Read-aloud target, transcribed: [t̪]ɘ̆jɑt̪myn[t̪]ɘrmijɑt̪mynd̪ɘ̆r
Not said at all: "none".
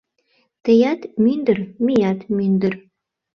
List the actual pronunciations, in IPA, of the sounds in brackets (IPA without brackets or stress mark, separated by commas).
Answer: t̪, d̪